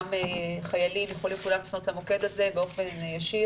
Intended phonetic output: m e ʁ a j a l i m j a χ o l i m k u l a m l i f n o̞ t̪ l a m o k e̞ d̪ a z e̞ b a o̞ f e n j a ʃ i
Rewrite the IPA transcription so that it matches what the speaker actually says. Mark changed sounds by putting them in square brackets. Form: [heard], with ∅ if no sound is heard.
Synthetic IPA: m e [χ] a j a l i m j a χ o l i m k u l a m l i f n o̞ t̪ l a m o k e̞ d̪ a z e̞ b [e] o̞ f e n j a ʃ i